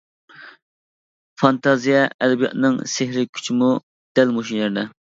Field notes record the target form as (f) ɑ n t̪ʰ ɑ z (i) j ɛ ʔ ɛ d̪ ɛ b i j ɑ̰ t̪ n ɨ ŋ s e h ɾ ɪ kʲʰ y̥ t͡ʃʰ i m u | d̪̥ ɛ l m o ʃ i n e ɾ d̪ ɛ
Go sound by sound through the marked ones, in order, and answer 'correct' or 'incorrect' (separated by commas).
correct, correct